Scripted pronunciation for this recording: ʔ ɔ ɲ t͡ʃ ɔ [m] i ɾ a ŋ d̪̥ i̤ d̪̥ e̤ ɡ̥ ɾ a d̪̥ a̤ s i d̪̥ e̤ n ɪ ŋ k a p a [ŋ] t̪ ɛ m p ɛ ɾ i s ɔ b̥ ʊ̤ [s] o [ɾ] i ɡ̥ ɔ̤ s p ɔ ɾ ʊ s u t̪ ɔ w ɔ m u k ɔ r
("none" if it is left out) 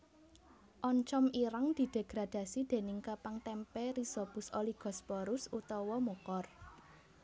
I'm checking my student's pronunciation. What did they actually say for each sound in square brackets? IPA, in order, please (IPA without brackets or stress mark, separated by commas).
m, ŋ, s, l